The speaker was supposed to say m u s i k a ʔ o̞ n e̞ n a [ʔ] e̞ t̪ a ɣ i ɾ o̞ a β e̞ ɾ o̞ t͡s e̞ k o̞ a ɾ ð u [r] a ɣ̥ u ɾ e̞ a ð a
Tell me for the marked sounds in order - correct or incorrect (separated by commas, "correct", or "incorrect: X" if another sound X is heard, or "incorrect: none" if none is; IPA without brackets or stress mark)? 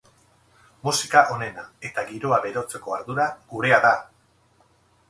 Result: incorrect: none, incorrect: ɾ